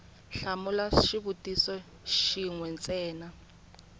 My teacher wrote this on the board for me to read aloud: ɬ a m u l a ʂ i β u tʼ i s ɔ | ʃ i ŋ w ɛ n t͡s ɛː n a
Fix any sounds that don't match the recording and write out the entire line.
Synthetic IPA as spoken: ɬ a m u l a ʃ i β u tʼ i s ɔ | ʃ i ŋ w ɛ n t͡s ɛː n a